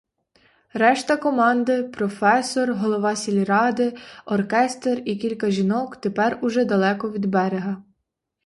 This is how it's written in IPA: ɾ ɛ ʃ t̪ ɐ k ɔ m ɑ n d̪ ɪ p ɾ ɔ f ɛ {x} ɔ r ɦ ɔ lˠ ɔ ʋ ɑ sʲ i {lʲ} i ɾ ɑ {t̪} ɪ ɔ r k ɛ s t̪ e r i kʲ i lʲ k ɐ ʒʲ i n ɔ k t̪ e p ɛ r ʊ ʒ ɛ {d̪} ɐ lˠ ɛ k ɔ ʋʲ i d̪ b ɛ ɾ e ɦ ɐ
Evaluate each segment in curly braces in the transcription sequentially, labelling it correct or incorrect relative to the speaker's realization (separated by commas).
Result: incorrect, correct, incorrect, correct